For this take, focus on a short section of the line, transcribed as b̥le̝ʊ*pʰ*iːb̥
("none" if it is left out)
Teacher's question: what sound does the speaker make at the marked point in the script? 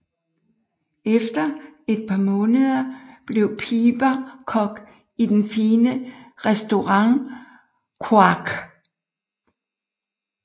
pʰ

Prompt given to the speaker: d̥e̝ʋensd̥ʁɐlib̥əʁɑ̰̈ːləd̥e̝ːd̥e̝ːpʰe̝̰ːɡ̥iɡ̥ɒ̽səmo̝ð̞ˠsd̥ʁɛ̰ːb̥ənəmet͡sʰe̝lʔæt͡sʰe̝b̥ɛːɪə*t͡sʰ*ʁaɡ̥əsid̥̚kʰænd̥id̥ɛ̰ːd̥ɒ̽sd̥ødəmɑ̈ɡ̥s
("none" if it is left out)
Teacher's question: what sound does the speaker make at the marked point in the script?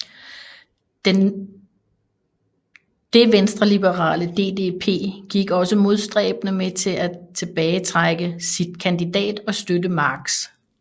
t͡sʰ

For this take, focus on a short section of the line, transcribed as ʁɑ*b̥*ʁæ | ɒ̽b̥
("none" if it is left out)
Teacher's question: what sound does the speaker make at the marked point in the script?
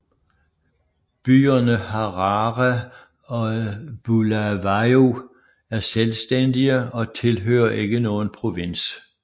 none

